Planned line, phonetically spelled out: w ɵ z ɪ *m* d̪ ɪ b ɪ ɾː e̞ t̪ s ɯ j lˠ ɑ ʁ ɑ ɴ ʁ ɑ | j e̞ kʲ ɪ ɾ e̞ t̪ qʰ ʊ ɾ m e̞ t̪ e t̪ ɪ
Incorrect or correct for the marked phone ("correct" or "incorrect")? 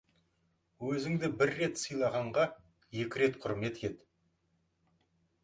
incorrect